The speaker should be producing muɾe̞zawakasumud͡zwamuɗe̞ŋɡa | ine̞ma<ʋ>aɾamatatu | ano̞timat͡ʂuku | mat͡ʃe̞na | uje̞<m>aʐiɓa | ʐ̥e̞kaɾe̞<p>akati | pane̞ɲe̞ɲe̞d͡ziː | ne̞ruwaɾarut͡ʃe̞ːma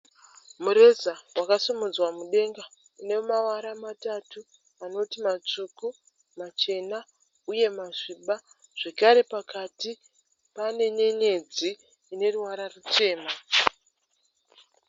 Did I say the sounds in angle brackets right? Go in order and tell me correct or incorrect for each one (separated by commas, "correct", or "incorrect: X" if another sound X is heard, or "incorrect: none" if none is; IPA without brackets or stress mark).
incorrect: w, correct, correct